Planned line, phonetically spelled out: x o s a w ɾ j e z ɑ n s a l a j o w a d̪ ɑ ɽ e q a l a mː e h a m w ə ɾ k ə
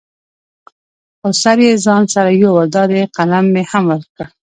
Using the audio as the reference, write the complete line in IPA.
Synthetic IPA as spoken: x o s a ɾ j e z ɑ n s a ɾ a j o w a d̪ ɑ ɾ e q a l a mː e h a m w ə ɾ k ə